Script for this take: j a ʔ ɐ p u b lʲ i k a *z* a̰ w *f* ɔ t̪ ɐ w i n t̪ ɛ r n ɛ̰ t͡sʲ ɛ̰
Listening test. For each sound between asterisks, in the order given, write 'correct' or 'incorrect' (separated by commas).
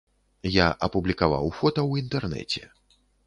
incorrect, correct